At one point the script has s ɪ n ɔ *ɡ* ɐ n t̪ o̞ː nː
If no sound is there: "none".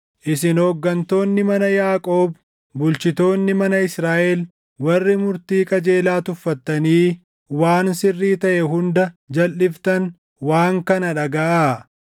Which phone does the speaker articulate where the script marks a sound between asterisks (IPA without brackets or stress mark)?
ɡː